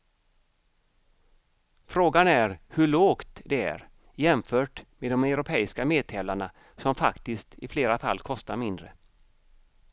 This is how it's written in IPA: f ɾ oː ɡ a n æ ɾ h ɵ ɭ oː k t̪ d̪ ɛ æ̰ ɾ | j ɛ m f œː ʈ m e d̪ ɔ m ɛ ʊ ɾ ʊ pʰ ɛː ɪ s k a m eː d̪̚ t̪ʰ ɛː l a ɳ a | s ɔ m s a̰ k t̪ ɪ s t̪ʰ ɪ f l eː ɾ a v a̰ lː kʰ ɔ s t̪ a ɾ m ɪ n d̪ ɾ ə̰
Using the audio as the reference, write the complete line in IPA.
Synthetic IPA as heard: f ɾ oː ɡ a n æ ɾ h ɵ ɭ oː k t̪ d̪ ɛ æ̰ ɾ | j ɛ m f œː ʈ m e d̪ ɔ m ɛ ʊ ɾ ʊ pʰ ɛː ɪ s k a m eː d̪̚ t̪ʰ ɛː l a ɳ a | s ɔ m f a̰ k t̪ ɪ s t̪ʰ ɪ f l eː ɾ a f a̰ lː kʰ ɔ s t̪ a ɾ m ɪ n d̪ ɾ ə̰